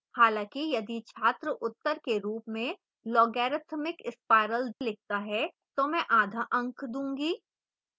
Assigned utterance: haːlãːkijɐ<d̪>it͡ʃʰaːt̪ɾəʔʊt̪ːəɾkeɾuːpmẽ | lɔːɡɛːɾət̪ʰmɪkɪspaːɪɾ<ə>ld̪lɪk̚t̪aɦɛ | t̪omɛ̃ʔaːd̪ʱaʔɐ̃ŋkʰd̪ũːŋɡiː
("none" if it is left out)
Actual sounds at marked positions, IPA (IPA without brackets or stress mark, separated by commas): d̪, ə